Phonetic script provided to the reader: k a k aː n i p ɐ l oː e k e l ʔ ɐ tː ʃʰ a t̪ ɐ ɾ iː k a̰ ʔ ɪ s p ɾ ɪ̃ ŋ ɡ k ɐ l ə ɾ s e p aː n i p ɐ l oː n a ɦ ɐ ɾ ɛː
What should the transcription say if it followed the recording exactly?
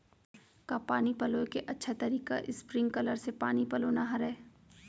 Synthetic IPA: k a p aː n i p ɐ l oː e k e ʔ ɐ tː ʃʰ a t̪ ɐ ɾ iː k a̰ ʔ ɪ s p ɾ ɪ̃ ŋ ɡ k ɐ l ə ɾ s e p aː n i p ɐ l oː n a ɦ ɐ ɾ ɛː